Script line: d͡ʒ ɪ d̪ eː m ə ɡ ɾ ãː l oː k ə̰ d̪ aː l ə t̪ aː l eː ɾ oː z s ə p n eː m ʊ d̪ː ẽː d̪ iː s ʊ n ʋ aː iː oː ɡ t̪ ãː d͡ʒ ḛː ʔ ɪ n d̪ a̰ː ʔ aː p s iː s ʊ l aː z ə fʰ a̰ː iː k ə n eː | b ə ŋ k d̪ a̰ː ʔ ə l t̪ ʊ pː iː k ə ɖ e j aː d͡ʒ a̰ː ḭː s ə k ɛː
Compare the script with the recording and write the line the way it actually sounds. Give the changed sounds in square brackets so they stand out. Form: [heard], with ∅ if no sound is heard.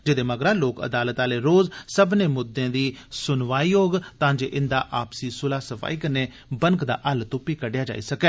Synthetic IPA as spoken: d͡ʒ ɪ d̪ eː m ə ɡ ɾ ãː l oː k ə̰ d̪ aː l ə t̪ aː l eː ɾ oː z s ə [b] n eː m ʊ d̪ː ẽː d̪ iː s ʊ n ʋ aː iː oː ɡ t̪ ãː d͡ʒ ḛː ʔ ɪ n d̪ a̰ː ʔ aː p s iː s ʊ l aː [s] ə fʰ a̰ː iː k ə n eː | b ə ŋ k d̪ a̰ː ʔ ə l t̪ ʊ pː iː k ə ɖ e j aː d͡ʒ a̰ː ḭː s ə k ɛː